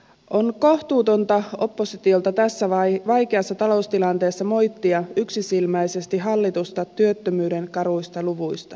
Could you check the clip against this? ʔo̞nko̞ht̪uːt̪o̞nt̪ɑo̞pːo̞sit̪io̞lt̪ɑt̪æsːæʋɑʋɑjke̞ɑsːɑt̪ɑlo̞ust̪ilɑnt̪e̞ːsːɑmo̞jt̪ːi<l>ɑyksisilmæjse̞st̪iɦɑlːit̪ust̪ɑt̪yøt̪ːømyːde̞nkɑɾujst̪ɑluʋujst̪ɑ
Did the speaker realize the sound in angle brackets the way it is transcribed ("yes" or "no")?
no